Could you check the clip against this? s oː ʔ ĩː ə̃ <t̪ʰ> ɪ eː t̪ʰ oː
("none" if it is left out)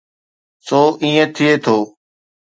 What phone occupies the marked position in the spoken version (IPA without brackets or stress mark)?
t̪ʰ